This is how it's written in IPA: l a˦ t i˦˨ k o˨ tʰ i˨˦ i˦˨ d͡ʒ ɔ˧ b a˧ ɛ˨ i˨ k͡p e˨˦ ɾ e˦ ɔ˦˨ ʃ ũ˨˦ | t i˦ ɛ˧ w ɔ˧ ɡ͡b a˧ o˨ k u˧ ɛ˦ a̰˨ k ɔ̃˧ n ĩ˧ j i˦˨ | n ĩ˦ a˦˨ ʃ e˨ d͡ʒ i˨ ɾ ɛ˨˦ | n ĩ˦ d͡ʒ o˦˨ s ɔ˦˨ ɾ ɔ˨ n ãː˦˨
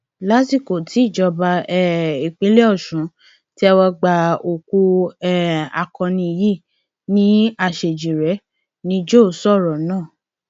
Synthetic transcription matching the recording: l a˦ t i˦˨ k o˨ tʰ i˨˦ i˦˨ d͡ʒ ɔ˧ b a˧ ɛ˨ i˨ k͡p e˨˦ l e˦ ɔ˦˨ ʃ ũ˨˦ | t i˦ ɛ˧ w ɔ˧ ɡ͡b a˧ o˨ k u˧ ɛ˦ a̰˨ k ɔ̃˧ n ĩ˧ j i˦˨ | n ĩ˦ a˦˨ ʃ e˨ d͡ʒ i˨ ɾ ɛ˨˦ | n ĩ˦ d͡ʒ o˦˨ s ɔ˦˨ ɾ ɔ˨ n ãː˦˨